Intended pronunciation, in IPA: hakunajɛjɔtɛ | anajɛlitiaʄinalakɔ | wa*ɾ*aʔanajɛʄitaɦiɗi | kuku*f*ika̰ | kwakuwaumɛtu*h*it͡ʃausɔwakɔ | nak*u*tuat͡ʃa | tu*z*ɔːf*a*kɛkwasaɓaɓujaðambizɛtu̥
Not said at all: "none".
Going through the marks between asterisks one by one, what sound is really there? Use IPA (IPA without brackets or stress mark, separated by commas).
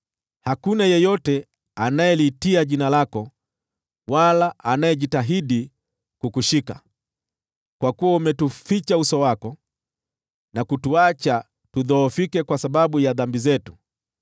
l, ʃ, f, u, ð, i